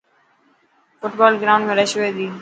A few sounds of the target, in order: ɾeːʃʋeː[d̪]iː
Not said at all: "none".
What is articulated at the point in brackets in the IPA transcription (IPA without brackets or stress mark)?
d̪